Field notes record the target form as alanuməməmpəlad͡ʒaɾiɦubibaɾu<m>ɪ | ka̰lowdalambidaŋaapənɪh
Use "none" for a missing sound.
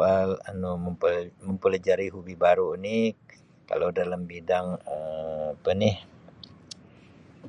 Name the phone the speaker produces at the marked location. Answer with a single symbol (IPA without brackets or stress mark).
n